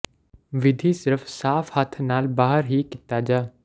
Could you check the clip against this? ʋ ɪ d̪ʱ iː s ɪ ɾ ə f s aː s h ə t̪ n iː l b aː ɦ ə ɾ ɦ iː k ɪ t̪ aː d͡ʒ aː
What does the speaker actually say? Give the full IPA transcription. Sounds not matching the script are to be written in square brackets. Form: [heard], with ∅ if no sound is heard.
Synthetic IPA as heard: ʋ ɪ d̪ʱ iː s ɪ ɾ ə f s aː [f] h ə [t̪ʰ] n [aː] l b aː ɦ ə ɾ ɦ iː k ɪ t̪ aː d͡ʒ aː